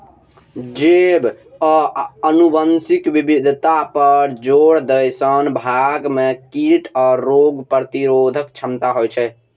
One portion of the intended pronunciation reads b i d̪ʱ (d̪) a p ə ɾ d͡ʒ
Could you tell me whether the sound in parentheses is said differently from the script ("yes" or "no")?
yes